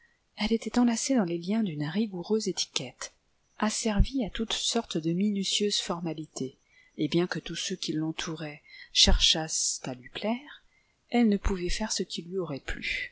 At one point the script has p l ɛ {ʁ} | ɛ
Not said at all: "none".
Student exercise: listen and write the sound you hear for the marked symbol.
ʁ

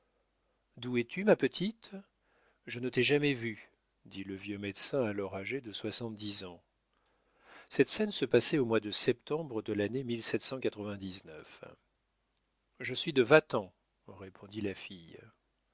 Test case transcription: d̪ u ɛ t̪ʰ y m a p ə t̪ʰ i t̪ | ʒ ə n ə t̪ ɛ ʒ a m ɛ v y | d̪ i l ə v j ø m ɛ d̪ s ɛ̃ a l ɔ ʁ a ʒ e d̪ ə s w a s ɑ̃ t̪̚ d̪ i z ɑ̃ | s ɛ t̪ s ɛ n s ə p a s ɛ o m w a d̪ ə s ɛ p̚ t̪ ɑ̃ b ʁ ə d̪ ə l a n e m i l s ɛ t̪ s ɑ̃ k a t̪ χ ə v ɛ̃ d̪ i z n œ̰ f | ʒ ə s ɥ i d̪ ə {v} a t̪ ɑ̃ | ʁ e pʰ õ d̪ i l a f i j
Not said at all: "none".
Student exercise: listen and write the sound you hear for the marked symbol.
v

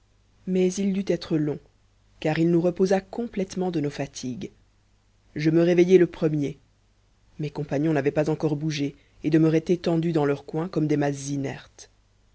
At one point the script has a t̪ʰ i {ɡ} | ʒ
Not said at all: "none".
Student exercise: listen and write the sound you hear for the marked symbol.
ɡ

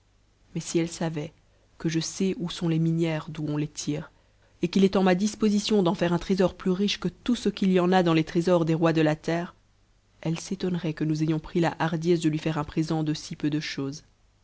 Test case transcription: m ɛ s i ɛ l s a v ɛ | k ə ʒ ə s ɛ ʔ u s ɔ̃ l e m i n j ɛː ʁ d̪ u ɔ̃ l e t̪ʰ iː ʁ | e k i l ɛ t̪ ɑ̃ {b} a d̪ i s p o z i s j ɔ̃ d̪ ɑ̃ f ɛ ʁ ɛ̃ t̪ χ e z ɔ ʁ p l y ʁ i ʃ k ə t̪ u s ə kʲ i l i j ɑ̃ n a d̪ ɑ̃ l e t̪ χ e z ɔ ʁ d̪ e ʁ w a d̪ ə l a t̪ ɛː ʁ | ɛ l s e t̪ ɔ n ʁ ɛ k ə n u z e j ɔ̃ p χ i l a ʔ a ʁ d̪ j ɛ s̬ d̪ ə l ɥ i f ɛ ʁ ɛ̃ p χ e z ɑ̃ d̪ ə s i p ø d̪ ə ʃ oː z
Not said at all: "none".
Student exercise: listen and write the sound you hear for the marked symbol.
m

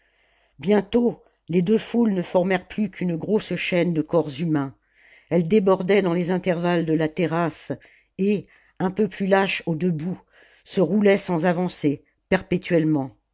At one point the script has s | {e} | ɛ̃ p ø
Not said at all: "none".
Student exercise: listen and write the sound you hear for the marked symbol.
e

